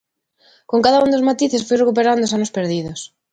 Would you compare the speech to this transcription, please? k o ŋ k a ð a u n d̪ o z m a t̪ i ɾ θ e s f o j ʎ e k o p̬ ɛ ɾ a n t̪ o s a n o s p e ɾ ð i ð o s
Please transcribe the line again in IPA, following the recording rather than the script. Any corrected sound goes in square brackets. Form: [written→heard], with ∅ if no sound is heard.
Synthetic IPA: k o ŋ k a ð a u n d̪ o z m a t̪ i [ɾ→∅] θ e s f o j [ʎ→r] e k [o→u] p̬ [ɛ→e] ɾ a n [t̪→d̪] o s a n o s p e ɾ ð i ð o s